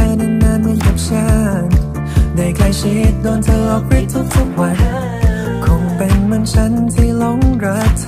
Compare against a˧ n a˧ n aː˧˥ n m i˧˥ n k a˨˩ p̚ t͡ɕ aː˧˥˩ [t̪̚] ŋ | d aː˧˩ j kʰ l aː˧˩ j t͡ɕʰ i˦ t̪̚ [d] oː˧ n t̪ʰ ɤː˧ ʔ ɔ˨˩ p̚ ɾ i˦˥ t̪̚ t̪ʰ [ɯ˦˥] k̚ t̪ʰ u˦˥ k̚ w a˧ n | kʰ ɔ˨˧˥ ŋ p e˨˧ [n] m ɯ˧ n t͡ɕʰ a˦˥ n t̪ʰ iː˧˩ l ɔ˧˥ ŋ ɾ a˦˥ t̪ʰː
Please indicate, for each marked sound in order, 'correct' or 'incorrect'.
incorrect, correct, incorrect, correct

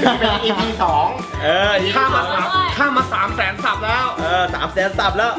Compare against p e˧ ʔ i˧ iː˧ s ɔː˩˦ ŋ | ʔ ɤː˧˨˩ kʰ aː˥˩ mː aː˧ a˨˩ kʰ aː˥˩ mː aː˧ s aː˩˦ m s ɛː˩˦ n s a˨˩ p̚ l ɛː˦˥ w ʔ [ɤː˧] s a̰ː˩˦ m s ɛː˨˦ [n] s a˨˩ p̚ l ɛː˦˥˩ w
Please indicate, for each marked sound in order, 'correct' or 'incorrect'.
correct, correct

